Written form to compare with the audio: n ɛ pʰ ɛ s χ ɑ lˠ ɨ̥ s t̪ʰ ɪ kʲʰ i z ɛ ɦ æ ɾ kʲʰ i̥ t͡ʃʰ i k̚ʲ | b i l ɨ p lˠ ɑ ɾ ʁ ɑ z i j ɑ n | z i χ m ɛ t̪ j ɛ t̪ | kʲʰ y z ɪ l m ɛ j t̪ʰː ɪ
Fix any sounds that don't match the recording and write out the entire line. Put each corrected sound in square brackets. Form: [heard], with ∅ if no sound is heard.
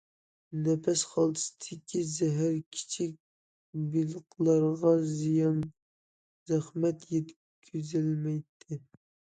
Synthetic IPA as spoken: n ɛ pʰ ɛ s χ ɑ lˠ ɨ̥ s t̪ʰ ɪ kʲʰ i z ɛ ɦ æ ɾ kʲʰ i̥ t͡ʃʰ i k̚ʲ | b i l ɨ [q] lˠ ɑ ɾ ʁ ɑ z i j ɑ n | z [æ] χ m ɛ t̪ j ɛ t̪ | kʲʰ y z ɪ l m ɛ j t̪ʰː ɪ